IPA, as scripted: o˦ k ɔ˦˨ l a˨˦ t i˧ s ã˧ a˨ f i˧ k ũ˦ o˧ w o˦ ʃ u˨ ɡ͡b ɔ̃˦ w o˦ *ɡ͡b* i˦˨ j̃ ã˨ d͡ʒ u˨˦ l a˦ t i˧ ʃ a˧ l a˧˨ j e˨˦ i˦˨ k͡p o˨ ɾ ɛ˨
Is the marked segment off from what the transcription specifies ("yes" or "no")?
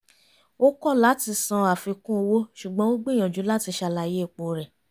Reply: no